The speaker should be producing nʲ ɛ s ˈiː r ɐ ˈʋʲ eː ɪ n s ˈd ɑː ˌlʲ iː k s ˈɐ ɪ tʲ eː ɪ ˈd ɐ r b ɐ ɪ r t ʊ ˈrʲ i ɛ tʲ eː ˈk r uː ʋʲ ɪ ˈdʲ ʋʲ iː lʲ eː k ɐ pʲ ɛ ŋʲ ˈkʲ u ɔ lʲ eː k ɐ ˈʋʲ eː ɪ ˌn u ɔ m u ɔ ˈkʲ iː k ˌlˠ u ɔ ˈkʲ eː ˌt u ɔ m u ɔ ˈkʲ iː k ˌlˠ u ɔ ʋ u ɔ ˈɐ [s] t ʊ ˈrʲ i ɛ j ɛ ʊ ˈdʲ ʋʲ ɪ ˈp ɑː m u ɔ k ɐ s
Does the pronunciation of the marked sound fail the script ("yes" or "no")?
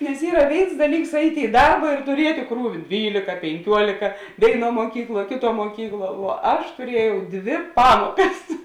yes